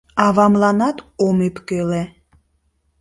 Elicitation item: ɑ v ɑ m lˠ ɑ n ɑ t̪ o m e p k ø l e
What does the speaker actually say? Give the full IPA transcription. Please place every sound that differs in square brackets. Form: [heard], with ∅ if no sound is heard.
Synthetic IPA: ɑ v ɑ m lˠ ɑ n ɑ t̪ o m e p k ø l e